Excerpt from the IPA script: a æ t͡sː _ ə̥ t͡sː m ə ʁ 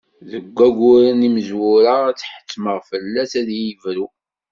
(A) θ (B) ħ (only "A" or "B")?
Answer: B